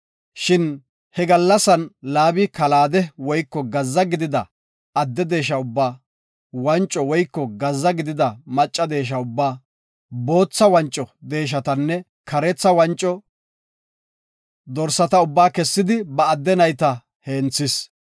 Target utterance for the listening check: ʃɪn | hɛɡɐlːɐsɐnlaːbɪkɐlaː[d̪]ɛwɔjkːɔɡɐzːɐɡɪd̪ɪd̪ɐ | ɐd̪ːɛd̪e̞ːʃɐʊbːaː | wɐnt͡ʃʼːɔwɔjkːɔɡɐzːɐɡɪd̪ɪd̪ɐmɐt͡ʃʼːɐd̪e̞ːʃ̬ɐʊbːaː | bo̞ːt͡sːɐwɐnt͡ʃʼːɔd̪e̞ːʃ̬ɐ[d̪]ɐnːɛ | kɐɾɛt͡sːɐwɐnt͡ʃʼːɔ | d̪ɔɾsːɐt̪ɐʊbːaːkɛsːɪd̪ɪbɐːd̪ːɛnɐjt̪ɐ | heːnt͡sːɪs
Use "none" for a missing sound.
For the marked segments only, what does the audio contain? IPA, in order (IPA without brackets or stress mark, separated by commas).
d̪, t̪